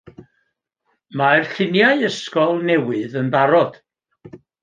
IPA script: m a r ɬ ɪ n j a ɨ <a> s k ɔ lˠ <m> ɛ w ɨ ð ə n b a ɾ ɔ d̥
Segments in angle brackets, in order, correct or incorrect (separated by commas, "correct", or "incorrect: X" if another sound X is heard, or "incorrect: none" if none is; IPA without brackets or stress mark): incorrect: ə, incorrect: n